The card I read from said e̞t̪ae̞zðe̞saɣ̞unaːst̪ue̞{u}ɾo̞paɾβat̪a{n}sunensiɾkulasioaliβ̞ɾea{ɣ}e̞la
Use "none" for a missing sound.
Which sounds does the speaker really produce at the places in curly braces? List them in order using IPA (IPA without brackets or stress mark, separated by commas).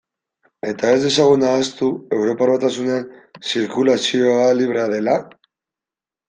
w, none, ð